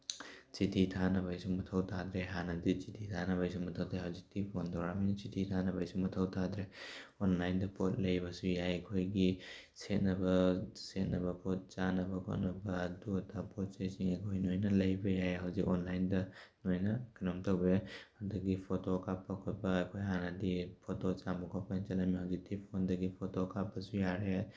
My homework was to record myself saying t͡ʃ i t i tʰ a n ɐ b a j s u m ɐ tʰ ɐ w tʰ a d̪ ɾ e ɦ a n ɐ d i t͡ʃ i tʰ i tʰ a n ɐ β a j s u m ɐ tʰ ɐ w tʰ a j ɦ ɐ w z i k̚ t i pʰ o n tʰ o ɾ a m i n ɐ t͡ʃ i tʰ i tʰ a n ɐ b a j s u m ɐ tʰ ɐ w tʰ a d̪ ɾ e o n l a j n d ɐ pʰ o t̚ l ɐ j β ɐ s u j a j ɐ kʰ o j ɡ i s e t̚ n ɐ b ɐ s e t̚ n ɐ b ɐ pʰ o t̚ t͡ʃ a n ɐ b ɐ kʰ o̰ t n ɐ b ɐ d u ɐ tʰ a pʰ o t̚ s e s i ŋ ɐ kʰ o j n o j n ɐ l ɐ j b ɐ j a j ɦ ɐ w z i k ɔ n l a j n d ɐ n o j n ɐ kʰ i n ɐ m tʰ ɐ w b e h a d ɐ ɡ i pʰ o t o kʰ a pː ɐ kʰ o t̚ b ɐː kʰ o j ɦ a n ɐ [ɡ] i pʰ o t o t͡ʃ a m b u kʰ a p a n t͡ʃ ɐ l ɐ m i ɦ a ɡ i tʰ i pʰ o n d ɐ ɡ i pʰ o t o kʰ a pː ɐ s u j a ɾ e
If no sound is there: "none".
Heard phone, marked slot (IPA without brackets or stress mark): d